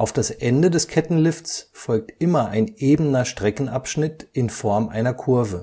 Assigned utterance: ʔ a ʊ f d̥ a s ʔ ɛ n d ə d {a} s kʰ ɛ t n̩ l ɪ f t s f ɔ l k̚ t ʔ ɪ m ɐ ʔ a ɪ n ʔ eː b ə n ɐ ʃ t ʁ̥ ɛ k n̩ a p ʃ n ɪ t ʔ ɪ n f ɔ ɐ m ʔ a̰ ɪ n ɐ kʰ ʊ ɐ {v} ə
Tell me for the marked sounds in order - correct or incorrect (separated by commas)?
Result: incorrect, correct